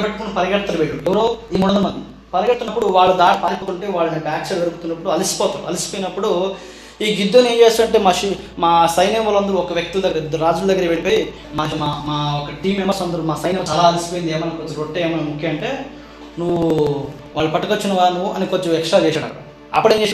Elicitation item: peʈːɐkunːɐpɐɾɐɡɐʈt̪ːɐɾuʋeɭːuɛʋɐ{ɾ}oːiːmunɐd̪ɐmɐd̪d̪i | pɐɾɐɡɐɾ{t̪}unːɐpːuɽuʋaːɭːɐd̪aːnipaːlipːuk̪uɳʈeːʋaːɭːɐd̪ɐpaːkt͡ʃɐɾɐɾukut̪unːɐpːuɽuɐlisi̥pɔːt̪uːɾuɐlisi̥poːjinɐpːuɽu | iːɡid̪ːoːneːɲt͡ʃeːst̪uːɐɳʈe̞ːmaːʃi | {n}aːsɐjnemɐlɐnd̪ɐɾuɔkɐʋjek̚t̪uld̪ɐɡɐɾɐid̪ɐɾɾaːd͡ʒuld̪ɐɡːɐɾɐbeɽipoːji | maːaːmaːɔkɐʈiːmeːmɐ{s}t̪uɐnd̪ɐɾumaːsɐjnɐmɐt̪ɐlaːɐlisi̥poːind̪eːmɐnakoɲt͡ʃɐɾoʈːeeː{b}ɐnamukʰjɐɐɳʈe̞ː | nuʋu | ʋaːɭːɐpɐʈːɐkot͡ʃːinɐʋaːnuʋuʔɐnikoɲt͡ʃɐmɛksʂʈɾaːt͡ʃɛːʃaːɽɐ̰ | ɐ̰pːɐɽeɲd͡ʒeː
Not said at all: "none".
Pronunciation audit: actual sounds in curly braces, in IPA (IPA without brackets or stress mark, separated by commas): ɾ, t̪, m, s, m